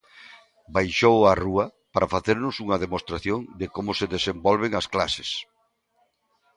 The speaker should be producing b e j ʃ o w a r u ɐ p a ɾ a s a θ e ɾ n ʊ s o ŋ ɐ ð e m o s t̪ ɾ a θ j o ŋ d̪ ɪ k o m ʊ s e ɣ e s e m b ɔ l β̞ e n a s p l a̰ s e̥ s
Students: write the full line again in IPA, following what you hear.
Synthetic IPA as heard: b a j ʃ o w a r u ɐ p a ɾ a f a θ e ɾ n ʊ s u ŋ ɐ ð e m o s t̪ ɾ a θ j o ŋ d̪ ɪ k o m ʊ s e ð e s e m b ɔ l β̞ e ŋ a s k l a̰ s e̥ s